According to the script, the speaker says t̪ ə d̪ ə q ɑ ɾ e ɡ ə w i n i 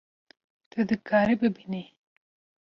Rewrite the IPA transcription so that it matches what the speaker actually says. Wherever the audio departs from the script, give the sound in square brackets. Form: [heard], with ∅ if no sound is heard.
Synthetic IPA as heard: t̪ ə d̪ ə [k] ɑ ɾ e [b] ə [b] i n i